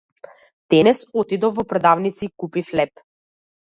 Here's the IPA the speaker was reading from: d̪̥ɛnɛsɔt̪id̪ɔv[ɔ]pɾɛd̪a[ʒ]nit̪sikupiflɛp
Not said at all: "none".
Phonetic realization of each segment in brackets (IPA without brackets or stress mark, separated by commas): ɔ, v